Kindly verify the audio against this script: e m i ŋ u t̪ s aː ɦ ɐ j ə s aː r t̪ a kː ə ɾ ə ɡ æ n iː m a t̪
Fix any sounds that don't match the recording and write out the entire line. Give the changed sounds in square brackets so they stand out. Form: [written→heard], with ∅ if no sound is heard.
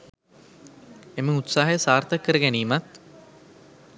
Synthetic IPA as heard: e m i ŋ u t̪ s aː ɦ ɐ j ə s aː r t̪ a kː ə ɾ ə ɡ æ n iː m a t̪